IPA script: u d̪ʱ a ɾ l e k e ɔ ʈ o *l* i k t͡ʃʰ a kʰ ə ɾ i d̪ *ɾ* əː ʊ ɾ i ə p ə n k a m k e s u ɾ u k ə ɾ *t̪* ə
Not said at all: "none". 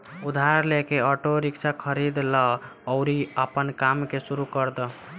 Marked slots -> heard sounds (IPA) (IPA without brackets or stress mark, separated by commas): ɾ, l, d̪